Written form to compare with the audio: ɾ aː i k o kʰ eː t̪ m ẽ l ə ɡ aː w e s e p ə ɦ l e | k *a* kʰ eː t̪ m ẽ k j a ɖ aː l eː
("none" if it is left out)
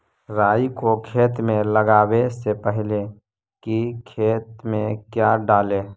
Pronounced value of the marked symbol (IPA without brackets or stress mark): i